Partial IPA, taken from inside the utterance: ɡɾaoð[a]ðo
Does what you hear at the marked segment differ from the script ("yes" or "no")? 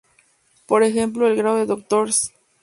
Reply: yes